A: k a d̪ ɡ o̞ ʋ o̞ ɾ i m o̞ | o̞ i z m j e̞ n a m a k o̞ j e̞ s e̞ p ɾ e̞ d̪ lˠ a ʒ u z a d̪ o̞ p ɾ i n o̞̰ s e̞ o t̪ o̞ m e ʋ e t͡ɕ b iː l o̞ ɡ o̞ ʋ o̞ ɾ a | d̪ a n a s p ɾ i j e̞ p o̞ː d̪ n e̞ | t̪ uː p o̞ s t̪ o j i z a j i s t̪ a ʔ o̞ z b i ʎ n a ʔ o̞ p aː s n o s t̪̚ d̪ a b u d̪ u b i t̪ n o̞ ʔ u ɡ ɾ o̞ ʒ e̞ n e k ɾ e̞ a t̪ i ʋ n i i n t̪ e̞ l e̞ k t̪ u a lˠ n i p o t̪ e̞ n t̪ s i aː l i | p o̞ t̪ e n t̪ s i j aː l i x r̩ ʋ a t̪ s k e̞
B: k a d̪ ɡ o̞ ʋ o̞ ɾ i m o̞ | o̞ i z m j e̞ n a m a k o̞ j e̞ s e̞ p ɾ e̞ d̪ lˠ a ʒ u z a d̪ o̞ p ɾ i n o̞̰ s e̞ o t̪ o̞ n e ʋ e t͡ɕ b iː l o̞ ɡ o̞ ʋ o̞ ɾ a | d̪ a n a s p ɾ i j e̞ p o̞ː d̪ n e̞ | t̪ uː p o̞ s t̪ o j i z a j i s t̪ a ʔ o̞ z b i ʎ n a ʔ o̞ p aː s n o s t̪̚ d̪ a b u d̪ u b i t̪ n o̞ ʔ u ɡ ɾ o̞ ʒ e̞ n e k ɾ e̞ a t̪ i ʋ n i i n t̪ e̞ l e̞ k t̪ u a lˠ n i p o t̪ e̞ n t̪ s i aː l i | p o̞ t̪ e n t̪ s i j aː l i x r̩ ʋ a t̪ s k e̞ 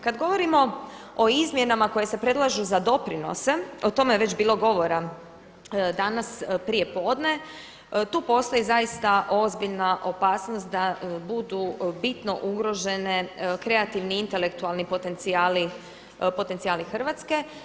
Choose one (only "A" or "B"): A